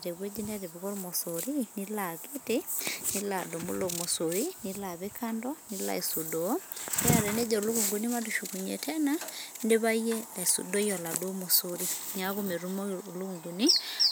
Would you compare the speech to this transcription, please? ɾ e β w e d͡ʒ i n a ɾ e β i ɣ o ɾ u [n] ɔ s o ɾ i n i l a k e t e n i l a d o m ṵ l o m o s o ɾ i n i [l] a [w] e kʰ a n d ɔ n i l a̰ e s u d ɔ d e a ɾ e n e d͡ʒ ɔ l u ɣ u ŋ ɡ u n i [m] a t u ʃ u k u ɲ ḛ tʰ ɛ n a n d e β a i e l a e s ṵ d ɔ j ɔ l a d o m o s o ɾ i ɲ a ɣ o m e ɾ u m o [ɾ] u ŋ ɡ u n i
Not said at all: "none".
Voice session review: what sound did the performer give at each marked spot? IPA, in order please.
m, l, β, m, l

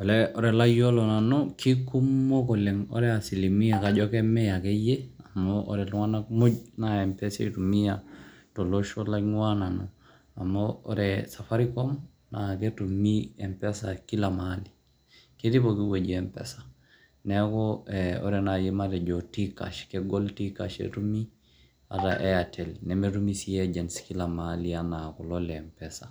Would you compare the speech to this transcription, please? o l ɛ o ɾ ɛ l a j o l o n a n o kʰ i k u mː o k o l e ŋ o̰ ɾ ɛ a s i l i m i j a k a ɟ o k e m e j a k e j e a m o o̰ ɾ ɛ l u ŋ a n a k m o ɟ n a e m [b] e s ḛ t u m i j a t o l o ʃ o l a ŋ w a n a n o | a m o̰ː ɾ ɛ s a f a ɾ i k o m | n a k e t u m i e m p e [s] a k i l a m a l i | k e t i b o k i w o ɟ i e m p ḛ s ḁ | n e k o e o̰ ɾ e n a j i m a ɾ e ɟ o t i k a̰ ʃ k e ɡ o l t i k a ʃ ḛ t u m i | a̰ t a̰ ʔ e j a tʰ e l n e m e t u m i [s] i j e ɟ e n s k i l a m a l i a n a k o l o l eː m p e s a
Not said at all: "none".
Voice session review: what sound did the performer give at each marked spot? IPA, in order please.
p, s, s

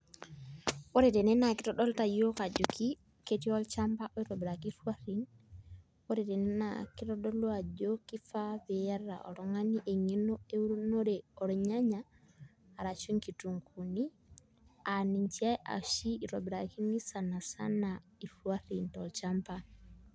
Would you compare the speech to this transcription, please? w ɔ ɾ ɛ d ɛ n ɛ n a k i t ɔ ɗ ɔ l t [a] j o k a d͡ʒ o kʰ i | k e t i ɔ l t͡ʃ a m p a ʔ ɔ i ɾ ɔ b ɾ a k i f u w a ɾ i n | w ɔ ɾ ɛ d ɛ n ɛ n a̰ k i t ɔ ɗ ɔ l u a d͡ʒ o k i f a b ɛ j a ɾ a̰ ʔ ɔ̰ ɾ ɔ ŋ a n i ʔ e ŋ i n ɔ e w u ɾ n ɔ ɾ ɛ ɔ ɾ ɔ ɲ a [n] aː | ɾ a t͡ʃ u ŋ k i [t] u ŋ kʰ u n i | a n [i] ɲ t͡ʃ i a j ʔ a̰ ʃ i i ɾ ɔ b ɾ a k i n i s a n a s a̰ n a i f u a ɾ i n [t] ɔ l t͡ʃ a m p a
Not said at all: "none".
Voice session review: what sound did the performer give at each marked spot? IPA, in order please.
a, ɲ, t, i, t

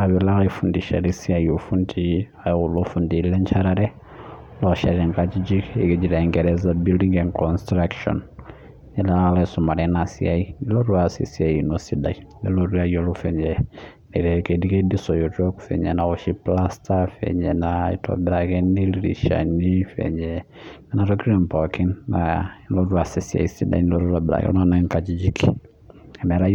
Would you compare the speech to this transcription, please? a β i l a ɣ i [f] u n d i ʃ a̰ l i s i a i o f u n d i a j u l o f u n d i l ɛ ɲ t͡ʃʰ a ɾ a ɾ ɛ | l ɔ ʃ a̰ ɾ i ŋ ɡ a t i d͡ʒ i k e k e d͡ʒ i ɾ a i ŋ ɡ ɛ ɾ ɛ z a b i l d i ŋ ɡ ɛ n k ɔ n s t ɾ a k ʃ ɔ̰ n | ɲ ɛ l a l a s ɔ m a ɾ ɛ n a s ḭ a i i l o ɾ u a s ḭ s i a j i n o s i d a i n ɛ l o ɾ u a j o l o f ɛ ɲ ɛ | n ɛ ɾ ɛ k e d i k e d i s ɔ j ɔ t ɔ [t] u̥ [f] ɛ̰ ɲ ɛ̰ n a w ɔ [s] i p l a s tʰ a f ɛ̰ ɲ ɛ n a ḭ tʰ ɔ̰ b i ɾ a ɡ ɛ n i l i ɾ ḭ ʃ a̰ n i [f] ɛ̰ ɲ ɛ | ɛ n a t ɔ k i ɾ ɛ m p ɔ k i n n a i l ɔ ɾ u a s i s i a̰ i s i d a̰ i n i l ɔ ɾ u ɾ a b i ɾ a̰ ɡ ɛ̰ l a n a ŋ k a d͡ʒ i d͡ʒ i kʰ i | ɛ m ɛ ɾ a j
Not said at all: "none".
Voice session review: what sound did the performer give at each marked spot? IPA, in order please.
f, k, f, ʃ, f

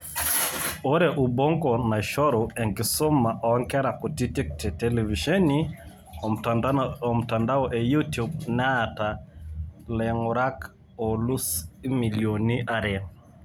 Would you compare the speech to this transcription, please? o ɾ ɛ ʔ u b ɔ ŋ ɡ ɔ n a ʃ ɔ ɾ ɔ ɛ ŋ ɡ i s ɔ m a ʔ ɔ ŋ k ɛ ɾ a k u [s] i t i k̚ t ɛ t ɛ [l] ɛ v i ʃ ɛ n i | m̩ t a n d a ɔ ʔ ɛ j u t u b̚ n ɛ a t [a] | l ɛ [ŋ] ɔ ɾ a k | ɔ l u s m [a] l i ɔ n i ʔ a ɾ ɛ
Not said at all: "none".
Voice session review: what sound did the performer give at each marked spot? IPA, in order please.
t, l, a, ŋ, i

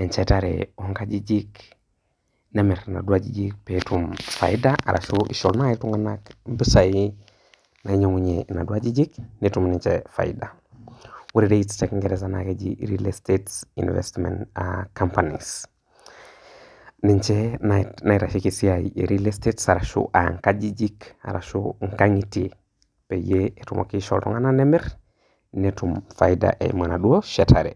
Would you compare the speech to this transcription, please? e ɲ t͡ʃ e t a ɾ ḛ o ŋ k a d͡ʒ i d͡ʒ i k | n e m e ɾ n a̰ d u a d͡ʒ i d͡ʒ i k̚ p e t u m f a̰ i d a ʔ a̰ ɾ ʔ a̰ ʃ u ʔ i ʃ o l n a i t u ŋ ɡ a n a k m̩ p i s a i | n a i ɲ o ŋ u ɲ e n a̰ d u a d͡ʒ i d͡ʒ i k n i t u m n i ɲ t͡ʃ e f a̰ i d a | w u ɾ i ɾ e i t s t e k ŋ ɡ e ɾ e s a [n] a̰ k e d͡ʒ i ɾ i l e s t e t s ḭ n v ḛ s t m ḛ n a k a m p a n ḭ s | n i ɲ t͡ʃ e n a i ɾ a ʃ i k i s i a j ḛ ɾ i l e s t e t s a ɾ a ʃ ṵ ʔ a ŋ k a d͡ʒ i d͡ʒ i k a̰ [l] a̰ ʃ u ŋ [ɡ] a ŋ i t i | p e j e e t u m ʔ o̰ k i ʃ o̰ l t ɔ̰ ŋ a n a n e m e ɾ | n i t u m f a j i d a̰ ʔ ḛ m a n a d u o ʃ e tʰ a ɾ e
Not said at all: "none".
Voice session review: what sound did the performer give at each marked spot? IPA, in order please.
n, ɾ, k

